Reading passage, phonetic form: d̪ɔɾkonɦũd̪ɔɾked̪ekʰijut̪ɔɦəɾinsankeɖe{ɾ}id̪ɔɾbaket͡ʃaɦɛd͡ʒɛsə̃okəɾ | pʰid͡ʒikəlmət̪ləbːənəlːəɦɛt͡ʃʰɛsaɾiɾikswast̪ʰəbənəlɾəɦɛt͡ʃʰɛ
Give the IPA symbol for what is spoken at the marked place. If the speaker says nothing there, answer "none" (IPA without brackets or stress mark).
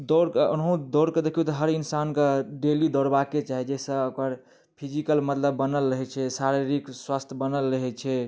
l